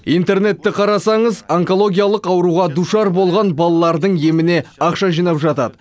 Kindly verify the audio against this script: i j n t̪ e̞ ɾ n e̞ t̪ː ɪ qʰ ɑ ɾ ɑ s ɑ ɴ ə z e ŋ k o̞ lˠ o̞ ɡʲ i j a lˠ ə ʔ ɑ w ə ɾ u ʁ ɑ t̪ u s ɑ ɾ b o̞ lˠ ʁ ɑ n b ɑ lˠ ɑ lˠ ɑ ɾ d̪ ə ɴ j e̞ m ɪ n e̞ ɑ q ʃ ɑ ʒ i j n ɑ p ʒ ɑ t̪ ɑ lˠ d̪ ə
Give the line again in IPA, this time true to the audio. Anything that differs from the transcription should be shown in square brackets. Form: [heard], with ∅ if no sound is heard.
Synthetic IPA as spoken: i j n t̪ e̞ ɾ n e̞ t̪ː ɪ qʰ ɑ ɾ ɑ s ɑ ɴ ə z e ŋ k o̞ lˠ o̞ ɡʲ i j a lˠ ə [q] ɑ w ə ɾ u ʁ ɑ [d̪] u [ʃ] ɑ ɾ b o̞ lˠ ʁ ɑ n b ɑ lˠ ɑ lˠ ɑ ɾ d̪ ə ɴ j e̞ m ɪ n e̞ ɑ q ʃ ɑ ʒ i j n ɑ p ʒ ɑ t̪ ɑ [∅] d̪ ə